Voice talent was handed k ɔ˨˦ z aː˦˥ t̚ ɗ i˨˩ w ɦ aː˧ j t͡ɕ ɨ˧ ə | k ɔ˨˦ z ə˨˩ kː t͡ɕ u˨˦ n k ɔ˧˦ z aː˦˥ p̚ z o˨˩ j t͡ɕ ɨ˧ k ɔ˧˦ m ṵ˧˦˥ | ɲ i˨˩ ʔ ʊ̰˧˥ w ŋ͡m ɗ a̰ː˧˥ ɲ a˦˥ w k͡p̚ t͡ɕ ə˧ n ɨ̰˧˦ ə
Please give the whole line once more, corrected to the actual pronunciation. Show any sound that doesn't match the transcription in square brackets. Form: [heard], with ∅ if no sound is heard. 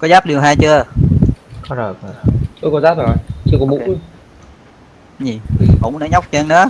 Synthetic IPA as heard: k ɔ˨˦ z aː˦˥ [p̚] ɗ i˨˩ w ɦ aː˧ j t͡ɕ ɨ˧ ə | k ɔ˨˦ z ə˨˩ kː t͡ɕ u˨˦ [∅] k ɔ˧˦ z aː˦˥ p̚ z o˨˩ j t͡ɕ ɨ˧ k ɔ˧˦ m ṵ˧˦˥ | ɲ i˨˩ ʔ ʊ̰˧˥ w ŋ͡m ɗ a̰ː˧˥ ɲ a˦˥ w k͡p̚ t͡ɕ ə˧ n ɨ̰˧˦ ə